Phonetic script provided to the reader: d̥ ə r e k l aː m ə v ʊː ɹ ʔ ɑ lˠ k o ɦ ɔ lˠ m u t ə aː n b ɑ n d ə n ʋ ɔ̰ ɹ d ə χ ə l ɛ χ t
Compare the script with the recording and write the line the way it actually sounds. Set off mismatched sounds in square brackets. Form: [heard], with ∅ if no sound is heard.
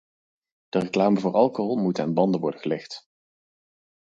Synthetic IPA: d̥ ə r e k l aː m ə v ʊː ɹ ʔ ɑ lˠ k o ɦ ɔ lˠ m u t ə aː n b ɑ n d ə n ʋ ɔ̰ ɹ d ə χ ə l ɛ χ t